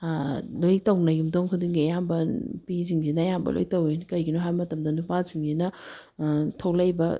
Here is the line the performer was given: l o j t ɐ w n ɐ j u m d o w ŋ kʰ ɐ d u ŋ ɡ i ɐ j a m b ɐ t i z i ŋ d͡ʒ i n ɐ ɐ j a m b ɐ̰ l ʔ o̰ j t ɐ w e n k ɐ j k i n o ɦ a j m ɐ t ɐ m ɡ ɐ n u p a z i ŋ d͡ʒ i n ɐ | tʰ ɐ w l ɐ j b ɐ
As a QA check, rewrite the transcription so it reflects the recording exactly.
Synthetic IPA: l o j t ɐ w n ɐ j u m d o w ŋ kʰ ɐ d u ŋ ɡ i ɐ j a m b ɐ p i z i ŋ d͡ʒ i n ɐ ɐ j a m b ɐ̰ l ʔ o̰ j t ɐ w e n k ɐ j ɡ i n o ɦ a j m ɐ t ɐ m d ɐ n u p a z i ŋ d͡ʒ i n ɐ | tʰ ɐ w l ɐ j b ɐ